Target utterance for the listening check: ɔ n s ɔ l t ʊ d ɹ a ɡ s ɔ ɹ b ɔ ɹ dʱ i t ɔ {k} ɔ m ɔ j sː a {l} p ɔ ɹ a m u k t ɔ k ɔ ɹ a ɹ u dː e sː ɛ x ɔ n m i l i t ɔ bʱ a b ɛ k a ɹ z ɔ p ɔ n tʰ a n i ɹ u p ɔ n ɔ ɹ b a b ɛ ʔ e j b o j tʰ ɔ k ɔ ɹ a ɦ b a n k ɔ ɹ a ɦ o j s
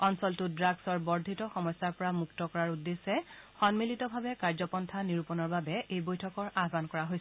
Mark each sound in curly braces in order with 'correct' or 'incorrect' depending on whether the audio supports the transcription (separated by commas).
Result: incorrect, incorrect